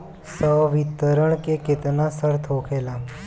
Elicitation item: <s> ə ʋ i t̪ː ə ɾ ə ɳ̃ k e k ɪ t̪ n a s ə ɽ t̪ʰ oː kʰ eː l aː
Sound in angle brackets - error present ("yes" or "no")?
no